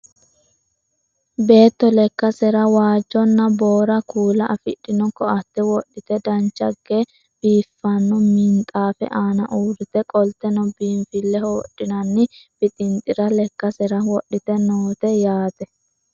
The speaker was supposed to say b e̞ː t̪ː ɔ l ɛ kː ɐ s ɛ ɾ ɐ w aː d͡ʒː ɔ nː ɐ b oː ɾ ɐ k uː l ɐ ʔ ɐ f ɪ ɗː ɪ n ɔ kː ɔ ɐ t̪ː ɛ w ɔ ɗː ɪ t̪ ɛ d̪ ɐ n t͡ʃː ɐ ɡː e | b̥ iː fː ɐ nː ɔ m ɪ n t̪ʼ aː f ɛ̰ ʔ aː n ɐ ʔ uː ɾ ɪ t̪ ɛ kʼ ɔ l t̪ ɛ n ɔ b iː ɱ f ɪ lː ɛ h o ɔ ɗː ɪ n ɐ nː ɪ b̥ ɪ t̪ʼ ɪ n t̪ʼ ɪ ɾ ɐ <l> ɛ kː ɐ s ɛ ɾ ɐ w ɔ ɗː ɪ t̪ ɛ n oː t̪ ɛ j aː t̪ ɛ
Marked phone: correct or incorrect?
correct